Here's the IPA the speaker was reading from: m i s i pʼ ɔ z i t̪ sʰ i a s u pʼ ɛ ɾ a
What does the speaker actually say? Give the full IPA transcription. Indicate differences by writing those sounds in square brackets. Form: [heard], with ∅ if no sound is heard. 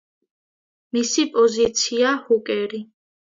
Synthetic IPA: m i s i pʼ ɔ z i t̪ sʰ i a [h] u [kʼ] ɛ ɾ [i]